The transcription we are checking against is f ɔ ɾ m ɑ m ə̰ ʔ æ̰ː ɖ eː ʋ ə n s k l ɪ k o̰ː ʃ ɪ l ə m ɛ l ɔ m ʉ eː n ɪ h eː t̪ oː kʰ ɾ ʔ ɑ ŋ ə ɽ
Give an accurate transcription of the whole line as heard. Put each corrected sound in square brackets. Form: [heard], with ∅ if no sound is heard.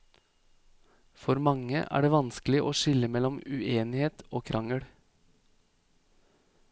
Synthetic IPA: f ɔ ɾ m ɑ [ŋ] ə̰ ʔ æ̰ː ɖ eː ʋ [ɑ] n s k l ɪ [ʔ] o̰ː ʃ ɪ l ə m ɛ l ɔ m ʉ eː n ɪ h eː t̪ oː kʰ ɾ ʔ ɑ ŋ ə ɽ